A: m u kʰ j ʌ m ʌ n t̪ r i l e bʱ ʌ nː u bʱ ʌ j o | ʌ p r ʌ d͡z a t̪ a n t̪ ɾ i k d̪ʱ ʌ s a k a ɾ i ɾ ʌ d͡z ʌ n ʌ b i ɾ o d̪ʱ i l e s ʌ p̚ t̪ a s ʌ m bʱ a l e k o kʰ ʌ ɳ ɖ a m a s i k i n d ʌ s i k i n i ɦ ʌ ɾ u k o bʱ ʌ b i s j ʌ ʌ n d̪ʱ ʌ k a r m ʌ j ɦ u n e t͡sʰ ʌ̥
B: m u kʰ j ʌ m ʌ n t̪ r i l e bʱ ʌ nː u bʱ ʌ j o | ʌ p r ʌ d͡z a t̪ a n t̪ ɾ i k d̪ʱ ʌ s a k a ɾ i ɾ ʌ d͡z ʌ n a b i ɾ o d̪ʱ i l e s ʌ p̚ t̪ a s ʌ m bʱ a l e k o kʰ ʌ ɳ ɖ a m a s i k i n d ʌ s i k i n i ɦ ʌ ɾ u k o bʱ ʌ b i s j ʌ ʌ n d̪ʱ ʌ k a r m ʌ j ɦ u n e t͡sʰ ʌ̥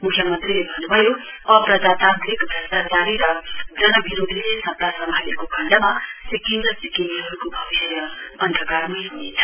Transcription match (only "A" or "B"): A